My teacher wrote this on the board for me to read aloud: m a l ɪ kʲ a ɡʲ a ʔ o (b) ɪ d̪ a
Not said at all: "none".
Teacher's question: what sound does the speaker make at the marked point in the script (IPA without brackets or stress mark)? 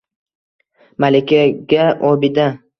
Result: b